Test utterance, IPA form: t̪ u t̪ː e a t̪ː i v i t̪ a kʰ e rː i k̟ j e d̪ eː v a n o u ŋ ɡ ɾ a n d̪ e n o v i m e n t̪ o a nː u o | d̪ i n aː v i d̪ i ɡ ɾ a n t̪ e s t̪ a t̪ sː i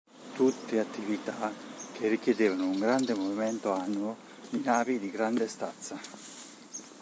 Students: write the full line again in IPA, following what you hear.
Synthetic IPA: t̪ u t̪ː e a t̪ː i v i t̪ a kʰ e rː i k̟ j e d̪ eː v a n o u ŋ ɡ ɾ a n d̪ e m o v i m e n t̪ o a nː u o | d̪ i n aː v i d̪ i ɡ ɾ a n d̪ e s t̪ a t̪ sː a